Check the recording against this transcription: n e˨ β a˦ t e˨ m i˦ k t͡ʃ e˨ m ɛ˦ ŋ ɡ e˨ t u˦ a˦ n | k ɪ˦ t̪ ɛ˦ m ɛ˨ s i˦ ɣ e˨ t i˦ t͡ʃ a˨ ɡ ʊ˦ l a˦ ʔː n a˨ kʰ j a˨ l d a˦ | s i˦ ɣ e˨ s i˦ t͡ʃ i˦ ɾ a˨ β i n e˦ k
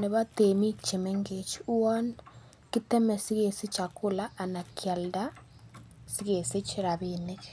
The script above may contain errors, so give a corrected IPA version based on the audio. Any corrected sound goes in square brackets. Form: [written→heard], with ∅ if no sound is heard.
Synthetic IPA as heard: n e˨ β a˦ t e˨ m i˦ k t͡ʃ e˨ m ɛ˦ ŋ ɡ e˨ [t→t͡ʃ] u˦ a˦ n | k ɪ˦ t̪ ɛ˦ m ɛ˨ s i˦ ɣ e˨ [t→s] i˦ t͡ʃ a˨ [ɡ→k] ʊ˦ l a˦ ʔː n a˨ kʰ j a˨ l d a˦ | s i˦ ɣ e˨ s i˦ t͡ʃ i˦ ɾ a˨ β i n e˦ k